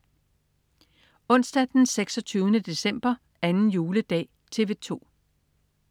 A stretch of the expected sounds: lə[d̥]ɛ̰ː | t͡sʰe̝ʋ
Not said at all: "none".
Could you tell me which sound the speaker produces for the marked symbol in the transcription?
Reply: d̥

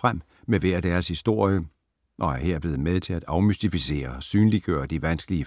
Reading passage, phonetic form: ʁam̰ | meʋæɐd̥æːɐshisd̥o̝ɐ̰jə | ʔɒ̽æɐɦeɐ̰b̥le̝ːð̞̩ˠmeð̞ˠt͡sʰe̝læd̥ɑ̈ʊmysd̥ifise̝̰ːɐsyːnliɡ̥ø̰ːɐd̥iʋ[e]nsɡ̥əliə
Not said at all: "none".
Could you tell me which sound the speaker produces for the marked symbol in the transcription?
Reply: æ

